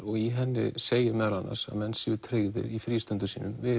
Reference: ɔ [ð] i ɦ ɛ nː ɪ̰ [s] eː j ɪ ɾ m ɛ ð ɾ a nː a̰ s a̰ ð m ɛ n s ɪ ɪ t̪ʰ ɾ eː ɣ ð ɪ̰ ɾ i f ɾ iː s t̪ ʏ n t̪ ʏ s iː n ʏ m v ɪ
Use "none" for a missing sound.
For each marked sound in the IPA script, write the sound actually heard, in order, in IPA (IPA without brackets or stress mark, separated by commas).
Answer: ɣ, s